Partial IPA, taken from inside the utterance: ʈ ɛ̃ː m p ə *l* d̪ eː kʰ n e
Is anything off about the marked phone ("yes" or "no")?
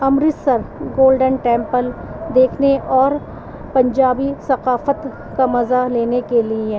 no